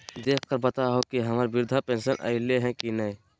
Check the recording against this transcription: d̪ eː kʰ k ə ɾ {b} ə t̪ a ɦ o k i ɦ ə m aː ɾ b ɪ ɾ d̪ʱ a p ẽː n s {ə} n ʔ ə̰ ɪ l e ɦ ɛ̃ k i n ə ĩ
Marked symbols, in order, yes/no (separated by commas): yes, yes